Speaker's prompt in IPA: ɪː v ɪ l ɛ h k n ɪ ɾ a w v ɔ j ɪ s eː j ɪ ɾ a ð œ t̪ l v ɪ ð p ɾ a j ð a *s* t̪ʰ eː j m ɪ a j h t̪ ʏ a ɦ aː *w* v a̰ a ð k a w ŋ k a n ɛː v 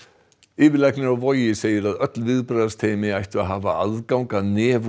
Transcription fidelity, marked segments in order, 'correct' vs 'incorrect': correct, incorrect: none

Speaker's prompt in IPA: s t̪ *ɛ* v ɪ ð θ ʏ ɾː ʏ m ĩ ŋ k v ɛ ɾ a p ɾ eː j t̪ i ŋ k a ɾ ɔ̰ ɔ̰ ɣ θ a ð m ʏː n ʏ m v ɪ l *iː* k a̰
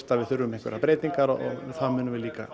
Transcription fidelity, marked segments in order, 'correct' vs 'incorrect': incorrect: a, correct

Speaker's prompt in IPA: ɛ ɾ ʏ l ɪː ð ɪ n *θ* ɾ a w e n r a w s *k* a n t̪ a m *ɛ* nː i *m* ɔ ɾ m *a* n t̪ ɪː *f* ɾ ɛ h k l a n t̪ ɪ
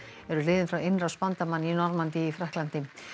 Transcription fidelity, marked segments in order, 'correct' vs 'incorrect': incorrect: f, incorrect: p, incorrect: a, incorrect: n, correct, correct

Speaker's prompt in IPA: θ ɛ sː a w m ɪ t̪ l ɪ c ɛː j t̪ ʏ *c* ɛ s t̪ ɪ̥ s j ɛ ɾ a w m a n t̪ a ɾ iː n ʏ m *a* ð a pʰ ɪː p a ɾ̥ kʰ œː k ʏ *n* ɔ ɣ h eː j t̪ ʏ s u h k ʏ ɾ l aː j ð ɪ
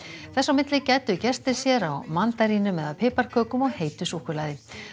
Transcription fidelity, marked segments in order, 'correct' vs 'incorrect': correct, incorrect: ɛ, incorrect: m

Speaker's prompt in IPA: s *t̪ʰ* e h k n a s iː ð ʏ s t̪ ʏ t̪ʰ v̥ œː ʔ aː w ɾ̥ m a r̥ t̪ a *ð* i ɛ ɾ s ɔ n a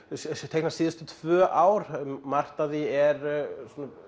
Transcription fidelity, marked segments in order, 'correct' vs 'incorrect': correct, correct

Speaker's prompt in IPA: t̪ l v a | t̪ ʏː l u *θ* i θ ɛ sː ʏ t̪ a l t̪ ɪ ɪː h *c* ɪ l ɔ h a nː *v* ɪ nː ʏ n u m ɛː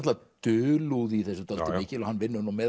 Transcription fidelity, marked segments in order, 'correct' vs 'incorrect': incorrect: ð, correct, correct

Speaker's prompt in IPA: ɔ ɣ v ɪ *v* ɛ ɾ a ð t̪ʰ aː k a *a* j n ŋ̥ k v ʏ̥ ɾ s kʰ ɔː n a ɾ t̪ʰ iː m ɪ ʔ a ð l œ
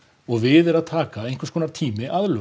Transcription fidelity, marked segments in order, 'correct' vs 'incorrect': incorrect: ð, incorrect: e

